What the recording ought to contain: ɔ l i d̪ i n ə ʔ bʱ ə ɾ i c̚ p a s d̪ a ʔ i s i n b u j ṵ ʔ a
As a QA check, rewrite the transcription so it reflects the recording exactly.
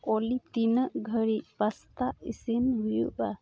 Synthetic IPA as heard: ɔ l i t̪ i n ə ʔ ɡʱ ə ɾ i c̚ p a s t̪ a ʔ i s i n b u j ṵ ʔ a